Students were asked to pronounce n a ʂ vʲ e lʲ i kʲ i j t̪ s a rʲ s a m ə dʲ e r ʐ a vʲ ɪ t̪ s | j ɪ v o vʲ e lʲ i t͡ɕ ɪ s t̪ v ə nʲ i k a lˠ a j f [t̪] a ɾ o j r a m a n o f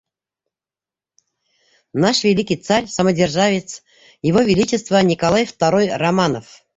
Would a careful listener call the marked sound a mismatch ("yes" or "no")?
no